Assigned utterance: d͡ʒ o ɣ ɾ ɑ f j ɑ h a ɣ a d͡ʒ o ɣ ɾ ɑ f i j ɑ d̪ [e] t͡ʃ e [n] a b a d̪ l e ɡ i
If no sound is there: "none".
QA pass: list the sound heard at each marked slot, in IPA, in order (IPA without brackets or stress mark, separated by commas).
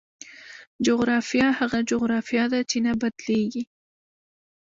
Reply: a, n